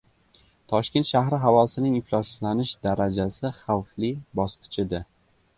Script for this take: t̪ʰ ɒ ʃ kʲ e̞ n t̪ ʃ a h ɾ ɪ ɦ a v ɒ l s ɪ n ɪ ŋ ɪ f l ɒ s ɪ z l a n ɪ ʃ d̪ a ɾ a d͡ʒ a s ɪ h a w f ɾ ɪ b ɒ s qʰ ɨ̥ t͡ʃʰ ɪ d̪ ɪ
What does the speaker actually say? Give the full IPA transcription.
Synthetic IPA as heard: t̪ʰ ɒ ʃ kʲ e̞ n t̪ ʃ a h ɾ ɪ ɦ a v ɒ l s ɪ n ɪ ŋ ɪ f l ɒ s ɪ z l a n ɪ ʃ d̪ a ɾ a d͡ʒ a s ɪ χ a w f l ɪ b ɒ s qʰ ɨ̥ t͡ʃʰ ɪ d̪ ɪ